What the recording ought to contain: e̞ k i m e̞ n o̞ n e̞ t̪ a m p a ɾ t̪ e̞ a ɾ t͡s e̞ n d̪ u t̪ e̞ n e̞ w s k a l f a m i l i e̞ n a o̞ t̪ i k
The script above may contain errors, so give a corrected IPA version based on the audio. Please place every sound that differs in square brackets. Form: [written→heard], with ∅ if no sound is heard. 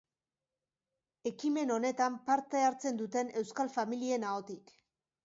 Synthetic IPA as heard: e̞ k i m e̞ n o̞ n e̞ t̪ a m p a ɾ t̪ e̞ a ɾ t͡s e̞ n d̪ u t̪ e̞ n e̞ w s k a l f a m i l i e̞ n a o̞ t̪ i k